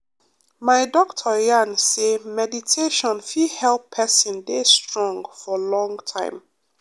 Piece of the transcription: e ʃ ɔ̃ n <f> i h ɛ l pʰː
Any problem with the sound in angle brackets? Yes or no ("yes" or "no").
no